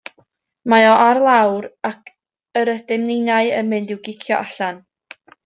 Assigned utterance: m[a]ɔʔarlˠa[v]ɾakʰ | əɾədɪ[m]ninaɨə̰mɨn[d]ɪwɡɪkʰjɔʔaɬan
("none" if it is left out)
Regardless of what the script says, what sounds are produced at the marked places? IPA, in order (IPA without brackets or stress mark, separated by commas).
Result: a, w, m, d